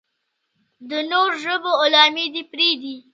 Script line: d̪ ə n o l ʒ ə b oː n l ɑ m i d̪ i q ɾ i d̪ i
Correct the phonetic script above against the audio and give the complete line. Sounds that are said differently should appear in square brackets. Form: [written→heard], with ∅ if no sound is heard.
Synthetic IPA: d̪ ə n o [l→ɾ] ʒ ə b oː [n→∅] l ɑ m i d̪ i [q→p] ɾ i d̪ i